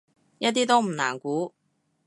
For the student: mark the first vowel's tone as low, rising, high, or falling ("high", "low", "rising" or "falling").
high